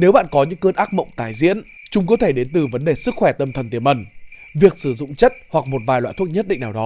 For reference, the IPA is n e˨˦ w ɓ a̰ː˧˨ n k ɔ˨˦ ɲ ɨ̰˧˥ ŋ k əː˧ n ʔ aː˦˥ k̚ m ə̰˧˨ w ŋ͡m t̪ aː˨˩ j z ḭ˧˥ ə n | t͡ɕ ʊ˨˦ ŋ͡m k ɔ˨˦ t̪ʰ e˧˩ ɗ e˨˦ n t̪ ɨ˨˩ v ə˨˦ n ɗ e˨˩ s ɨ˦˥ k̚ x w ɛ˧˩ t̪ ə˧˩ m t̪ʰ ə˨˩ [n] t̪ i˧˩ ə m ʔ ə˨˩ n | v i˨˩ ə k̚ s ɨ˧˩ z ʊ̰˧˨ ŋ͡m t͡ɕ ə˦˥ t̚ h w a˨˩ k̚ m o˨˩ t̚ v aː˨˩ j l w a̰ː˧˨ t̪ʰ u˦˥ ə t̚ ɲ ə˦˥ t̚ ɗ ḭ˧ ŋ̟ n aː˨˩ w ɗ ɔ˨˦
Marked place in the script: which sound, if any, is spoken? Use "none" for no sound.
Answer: n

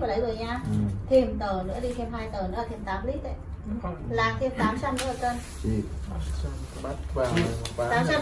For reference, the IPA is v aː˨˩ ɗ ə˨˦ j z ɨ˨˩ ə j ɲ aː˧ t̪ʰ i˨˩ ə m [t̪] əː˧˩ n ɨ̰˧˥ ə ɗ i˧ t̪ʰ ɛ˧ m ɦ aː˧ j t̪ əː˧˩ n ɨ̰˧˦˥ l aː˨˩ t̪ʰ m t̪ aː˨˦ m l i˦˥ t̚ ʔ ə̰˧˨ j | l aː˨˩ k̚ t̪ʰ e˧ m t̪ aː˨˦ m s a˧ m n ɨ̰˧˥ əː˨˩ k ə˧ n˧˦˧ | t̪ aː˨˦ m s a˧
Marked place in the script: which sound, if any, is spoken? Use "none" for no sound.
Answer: t̪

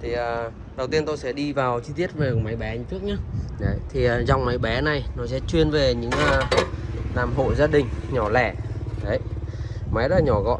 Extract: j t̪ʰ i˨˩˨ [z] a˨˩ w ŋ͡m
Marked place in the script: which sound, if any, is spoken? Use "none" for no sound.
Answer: z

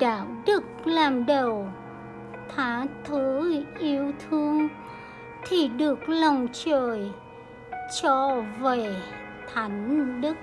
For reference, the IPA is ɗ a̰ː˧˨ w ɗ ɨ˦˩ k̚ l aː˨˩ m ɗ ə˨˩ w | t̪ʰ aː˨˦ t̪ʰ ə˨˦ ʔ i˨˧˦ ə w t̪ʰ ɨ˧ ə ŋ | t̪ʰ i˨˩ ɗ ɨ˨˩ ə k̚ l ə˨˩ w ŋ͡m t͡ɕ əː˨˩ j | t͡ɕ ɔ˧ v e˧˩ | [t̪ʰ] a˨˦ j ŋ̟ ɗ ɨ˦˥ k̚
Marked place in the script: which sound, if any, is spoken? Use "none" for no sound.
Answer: t̪ʰ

